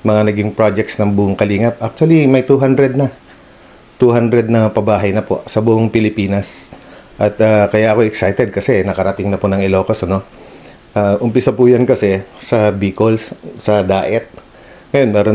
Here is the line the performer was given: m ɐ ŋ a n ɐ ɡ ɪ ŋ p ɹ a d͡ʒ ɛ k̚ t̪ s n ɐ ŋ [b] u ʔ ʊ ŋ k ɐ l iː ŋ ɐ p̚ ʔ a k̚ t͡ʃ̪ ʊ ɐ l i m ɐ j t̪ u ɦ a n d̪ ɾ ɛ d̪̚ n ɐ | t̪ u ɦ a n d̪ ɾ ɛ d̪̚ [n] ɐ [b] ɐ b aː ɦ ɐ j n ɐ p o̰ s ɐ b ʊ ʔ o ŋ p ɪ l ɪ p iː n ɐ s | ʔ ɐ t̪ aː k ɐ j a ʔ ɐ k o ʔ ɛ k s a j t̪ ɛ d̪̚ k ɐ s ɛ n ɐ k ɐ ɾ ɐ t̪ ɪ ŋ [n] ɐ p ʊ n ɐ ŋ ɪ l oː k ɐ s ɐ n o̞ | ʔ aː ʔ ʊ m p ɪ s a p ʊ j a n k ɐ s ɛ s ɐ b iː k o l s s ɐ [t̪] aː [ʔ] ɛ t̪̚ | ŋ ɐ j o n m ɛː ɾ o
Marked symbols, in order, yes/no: yes, yes, no, yes, no, yes

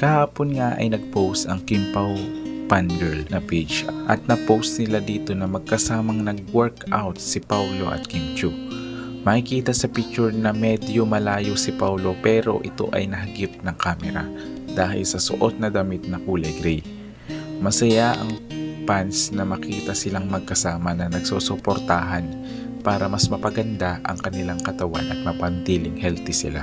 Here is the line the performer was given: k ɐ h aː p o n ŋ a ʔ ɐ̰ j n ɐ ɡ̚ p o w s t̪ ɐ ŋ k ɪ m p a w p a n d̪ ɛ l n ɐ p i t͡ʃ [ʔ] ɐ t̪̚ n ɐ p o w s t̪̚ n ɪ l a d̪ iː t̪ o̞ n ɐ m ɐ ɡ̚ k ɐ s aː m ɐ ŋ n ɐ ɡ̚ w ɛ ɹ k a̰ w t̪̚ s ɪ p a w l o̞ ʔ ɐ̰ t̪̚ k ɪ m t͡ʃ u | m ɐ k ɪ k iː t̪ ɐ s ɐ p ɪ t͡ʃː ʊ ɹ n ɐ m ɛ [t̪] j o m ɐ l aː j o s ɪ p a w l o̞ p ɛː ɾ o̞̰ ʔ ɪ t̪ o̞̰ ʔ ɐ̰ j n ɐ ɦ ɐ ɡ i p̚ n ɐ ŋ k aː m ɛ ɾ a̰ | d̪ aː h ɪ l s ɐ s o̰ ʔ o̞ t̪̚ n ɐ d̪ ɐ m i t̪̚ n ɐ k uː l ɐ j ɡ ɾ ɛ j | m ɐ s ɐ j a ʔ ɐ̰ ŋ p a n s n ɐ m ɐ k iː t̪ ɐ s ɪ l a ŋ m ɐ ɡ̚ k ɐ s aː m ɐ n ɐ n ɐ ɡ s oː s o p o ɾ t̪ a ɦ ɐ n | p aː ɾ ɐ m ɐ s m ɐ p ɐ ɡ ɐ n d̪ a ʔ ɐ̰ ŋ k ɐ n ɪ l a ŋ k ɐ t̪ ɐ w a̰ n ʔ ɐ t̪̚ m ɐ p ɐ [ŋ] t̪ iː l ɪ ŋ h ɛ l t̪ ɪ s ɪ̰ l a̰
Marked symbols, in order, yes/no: yes, no, no

